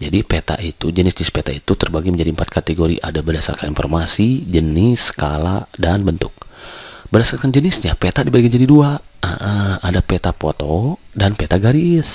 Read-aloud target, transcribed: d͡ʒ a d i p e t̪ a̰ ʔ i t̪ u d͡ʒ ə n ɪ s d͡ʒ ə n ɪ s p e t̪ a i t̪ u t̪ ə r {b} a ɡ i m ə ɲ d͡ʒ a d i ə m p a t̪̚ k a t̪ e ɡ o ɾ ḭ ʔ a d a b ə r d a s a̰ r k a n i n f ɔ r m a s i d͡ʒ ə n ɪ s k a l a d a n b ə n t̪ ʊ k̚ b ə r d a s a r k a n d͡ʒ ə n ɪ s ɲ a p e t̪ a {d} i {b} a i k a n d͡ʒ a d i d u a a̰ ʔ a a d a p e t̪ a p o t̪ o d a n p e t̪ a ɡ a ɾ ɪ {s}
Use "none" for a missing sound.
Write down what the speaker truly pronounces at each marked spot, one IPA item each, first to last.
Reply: b, d, b, s

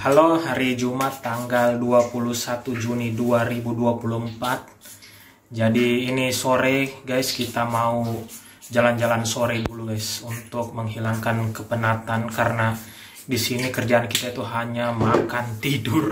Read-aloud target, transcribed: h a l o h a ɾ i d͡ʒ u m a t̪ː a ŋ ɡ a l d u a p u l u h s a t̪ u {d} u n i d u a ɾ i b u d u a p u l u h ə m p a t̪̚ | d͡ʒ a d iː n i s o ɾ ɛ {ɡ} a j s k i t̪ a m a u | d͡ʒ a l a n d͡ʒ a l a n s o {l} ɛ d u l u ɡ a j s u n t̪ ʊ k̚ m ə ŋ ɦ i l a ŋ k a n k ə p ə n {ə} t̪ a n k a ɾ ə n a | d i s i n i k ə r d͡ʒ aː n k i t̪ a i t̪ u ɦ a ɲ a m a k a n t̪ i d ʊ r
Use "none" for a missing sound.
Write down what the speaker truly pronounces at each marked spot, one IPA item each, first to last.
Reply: d͡ʒ, ɡ, ɾ, a

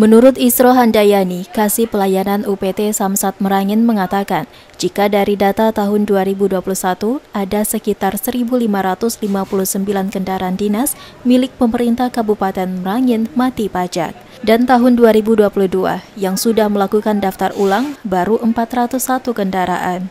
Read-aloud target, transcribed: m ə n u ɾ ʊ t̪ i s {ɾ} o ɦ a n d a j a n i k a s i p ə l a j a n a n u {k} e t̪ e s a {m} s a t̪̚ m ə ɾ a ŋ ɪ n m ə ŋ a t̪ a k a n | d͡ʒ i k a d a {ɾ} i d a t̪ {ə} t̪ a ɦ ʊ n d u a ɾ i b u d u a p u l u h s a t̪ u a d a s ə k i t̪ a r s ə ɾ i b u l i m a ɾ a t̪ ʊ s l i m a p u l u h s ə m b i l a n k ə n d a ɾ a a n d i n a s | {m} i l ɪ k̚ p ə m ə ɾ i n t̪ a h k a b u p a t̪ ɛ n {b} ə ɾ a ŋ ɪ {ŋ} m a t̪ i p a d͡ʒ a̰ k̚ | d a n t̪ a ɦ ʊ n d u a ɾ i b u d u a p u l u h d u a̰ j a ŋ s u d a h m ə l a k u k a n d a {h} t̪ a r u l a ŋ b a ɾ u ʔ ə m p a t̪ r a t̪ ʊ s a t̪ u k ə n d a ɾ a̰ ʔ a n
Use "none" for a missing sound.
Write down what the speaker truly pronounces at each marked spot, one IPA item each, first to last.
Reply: ɾ, p, m, ɾ, a, m, m, n, f

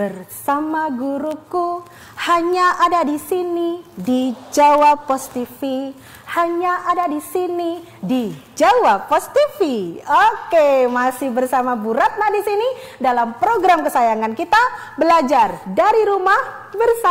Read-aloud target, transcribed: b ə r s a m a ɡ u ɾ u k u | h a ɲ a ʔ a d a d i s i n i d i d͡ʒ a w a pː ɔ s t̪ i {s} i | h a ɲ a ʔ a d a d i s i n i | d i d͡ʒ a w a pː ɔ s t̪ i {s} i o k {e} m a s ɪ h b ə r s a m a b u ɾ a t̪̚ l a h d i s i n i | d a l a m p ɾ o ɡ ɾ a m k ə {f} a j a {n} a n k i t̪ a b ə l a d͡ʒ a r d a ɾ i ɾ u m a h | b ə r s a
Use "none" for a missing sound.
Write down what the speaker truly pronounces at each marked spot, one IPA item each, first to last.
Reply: f, f, e, s, ŋ

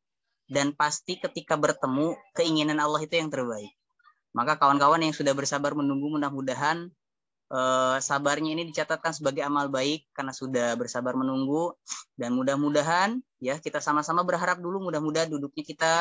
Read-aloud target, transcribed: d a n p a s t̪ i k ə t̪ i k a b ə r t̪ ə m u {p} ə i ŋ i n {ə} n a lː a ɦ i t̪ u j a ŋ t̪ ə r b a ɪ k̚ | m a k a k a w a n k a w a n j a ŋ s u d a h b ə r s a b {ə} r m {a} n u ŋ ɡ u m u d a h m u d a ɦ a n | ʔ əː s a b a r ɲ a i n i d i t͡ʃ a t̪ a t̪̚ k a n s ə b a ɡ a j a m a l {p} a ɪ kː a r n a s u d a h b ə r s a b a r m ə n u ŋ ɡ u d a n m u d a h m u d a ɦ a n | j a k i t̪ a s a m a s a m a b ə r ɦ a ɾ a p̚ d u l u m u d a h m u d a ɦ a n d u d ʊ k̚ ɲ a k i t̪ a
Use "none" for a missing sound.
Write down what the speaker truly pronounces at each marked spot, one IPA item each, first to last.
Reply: k, a, a, ə, b

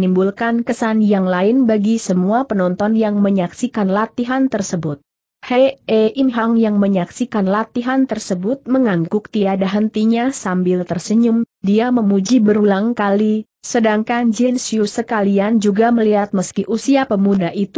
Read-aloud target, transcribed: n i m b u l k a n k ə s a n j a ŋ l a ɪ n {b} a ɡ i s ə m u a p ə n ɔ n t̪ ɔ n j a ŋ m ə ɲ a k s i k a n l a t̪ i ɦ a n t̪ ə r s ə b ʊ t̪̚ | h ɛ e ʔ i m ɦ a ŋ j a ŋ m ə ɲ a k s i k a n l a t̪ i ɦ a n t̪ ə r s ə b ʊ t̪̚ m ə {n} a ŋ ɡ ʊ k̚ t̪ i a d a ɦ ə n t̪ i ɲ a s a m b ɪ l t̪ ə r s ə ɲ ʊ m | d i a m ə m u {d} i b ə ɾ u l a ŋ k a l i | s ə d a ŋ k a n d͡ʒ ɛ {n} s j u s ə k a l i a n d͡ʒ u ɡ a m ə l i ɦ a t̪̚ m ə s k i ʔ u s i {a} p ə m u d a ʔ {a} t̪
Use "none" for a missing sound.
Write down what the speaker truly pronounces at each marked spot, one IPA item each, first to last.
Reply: b, ŋ, d͡ʒ, n, a, i

